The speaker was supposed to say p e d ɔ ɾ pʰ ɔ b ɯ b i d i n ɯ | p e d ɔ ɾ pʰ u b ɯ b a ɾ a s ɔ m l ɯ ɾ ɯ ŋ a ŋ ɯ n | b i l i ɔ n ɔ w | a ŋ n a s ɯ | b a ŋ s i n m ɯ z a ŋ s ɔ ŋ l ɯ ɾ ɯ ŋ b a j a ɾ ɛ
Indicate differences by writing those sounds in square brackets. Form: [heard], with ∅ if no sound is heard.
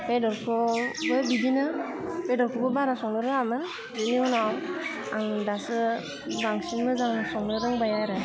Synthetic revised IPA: p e d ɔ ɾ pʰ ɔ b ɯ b i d i n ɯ | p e d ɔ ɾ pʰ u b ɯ b a ɾ a s ɔ [ŋ] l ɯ ɾ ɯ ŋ a [m] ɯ n | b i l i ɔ n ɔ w | a ŋ [d] a s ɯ | b a ŋ s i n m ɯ z a ŋ s ɔ ŋ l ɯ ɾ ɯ ŋ b a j a ɾ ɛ